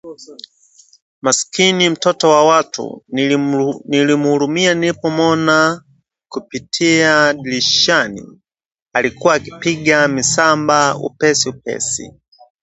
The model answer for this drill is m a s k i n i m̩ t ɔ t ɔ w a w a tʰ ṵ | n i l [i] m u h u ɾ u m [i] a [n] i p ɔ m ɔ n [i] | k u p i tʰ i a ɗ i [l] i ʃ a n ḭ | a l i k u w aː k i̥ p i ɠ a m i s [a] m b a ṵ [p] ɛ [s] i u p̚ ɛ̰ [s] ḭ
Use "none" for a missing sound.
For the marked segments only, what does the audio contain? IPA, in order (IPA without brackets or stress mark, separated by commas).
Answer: i, i, n, a, l, a, p, s, s